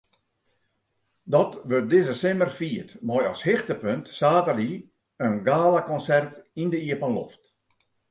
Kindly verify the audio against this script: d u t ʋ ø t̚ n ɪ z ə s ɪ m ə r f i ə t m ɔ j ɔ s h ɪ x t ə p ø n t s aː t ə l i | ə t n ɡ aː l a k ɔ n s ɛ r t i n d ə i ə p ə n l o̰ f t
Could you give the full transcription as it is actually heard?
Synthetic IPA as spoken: d ɔ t ʋ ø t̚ d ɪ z ə s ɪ m ə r f i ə t m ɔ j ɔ s h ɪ x t ə p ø n t s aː t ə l i | ə n ɡ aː l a k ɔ n s ɛ r t i n d ə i ə p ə n l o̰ f t